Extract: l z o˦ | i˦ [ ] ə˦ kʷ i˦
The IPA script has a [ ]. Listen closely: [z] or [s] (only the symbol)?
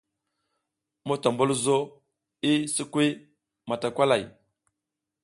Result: s